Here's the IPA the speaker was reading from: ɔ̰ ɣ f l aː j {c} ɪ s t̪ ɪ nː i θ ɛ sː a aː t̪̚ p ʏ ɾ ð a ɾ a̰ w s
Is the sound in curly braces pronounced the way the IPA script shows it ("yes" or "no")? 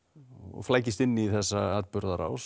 yes